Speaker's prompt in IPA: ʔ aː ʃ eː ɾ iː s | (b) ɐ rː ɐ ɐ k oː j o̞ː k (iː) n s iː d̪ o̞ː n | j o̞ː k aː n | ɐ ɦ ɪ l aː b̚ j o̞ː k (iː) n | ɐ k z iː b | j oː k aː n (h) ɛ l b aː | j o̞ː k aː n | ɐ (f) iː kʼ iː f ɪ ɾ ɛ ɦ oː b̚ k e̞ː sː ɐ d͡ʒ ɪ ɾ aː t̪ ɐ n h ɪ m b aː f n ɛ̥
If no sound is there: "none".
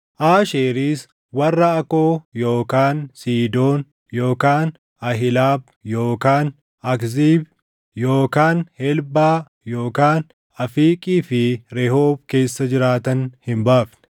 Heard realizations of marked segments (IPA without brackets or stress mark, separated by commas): w, aː, aː, h, f